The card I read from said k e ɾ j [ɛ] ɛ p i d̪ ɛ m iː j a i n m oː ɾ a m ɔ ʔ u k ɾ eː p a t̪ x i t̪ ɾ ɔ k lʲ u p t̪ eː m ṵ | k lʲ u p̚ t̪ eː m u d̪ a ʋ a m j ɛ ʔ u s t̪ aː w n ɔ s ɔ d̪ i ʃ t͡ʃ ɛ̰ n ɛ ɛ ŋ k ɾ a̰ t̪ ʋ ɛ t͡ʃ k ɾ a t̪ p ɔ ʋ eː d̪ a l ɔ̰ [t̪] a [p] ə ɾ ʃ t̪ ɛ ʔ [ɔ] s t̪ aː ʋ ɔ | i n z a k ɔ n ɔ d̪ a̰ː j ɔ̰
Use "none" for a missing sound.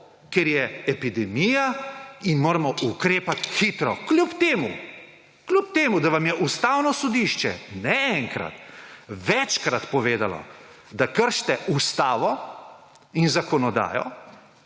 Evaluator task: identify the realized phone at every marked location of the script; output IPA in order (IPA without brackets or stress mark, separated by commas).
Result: ɛ, d̪, k, u